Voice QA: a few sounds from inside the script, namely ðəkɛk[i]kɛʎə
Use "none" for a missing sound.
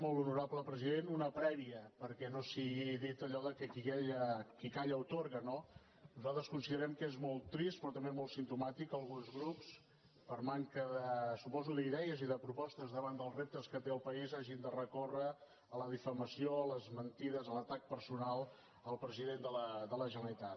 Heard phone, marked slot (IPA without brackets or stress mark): i